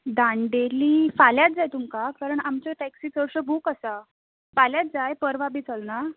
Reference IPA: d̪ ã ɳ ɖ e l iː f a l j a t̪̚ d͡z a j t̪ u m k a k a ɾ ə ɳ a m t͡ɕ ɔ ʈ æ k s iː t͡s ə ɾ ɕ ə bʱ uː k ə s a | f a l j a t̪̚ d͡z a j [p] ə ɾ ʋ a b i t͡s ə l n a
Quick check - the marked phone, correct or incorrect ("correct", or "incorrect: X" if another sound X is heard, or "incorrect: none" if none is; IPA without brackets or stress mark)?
correct